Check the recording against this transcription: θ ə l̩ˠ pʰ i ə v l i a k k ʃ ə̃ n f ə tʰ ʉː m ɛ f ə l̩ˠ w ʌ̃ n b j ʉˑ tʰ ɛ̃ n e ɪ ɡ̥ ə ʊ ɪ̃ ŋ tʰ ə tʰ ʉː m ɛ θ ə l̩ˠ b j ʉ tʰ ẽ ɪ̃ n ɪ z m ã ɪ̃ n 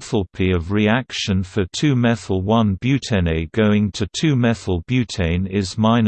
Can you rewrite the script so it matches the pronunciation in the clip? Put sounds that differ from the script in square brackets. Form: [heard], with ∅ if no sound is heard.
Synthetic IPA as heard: θ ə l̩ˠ pʰ i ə v [ɹ] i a k k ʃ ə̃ n f ə tʰ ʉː m ɛ [θ] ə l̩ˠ w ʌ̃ n b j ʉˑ tʰ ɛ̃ n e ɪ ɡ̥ ə ʊ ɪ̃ ŋ tʰ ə tʰ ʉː m ɛ θ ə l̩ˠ b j ʉ tʰ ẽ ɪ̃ n ɪ z m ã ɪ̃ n

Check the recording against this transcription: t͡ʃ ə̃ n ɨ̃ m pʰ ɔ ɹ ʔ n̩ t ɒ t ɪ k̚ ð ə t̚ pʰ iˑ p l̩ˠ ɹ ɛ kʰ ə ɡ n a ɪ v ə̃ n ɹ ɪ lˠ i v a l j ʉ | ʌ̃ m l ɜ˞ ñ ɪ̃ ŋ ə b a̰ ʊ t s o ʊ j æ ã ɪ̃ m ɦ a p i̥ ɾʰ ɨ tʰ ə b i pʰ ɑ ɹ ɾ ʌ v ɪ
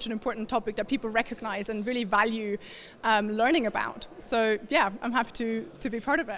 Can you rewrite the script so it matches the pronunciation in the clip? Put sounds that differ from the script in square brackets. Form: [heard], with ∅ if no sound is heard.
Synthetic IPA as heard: t͡ʃ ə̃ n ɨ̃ m pʰ ɔ ɹ ʔ n̩ [tʰ] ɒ [p] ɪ k̚ ð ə t̚ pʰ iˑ p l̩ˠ ɹ ɛ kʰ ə ɡ n a ɪ [z] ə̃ n ɹ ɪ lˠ i v a l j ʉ | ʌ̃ m l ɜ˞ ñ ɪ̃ ŋ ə b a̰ ʊ t s o ʊ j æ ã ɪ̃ m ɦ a p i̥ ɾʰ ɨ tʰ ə b i pʰ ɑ ɹ ɾ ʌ v ɪ

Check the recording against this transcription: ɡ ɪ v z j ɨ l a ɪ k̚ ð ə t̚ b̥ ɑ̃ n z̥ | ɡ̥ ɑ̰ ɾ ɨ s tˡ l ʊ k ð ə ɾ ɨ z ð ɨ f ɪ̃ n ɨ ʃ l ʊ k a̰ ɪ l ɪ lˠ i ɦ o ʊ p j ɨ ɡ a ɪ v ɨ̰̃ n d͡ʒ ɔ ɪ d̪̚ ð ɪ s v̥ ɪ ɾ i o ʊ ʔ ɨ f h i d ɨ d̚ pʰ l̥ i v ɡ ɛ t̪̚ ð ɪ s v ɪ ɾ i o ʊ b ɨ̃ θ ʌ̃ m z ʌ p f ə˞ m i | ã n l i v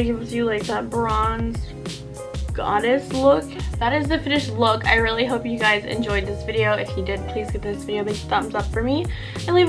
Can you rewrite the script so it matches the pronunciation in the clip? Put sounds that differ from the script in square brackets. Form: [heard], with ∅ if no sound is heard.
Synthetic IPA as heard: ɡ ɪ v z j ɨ l a ɪ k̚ ð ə t̚ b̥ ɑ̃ n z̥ | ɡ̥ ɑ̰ ɾ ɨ s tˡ l ʊ k ð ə ɾ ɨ z ð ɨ f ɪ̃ n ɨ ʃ l ʊ k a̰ ɪ [ɹ] ɪ lˠ i ɦ o ʊ p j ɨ ɡ a ɪ [z] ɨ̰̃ n d͡ʒ ɔ ɪ d̪̚ ð ɪ s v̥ ɪ ɾ i o ʊ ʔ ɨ f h i d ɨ d̚ pʰ l̥ i [z] ɡ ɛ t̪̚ ð ɪ s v ɪ ɾ i o ʊ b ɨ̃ θ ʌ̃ m z ʌ p f ə˞ m i | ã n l i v

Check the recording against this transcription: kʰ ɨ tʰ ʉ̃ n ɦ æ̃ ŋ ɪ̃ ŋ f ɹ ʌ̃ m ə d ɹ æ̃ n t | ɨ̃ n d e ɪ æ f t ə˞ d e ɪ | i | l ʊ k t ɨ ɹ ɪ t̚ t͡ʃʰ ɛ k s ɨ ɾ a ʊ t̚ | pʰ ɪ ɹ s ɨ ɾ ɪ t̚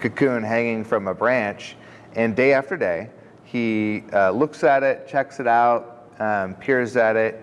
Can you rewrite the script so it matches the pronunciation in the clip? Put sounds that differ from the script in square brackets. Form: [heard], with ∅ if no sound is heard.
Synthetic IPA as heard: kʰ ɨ [kʰ] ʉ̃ n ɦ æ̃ ŋ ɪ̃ ŋ f ɹ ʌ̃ m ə [b] ɹ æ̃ n [t͡ʃ] | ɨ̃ n d e ɪ æ f t ə˞ d e ɪ | i | l ʊ k [s] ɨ [ɾ] ɪ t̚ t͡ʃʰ ɛ k s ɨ ɾ a ʊ t̚ | pʰ ɪ ɹ [z] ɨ ɾ ɪ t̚

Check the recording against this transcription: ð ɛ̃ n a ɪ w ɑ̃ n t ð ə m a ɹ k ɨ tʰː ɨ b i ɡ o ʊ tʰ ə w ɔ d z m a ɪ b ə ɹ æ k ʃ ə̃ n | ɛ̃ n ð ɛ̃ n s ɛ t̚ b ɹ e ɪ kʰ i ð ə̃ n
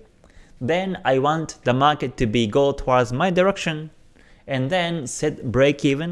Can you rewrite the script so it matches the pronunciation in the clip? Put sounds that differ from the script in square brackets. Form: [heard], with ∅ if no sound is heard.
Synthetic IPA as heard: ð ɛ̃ n a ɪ w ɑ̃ n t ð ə m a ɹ k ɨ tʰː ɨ b i ɡ o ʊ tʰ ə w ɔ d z m a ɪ [d] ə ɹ [ɛ] k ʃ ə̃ n | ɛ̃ n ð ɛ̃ n s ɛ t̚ b ɹ e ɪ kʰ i [v] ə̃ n

